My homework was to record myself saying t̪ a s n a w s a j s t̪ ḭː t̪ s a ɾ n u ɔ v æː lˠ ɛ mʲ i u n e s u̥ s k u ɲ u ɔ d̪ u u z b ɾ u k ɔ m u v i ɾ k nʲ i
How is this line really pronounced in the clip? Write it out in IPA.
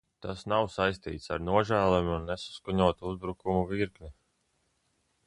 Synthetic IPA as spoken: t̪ a s n a w s a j s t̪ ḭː t̪ s a ɾ n u ɔ ʒ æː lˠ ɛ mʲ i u nː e s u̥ s k u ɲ u ɔ t̪ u u z b ɾ u k u m u v i ɾ k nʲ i